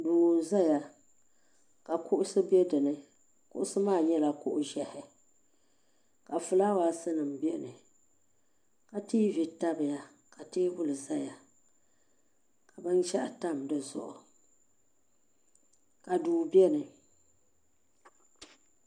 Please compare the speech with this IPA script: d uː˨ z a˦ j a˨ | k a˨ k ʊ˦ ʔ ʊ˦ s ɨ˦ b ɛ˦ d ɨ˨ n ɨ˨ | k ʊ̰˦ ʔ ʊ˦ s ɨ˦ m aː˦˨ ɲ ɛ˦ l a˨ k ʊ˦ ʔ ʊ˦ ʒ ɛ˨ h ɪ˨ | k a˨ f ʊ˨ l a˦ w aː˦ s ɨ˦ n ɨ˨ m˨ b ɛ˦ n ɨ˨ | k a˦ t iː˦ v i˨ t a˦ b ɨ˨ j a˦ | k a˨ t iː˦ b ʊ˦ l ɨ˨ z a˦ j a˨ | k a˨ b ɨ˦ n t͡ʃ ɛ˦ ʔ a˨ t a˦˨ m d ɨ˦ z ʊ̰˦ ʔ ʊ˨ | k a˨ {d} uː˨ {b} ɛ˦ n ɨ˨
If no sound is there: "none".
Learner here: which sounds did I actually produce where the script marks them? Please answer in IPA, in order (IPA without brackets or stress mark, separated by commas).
d, b